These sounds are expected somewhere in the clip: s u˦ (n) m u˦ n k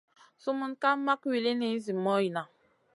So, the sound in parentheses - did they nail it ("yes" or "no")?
no